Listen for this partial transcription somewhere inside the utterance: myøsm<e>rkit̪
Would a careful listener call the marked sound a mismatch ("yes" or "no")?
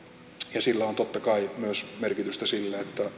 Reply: no